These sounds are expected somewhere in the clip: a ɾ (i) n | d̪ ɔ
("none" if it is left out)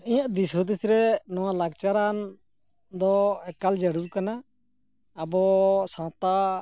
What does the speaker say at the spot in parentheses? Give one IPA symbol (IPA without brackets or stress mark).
a